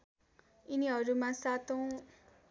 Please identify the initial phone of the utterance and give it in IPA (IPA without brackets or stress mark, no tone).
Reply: i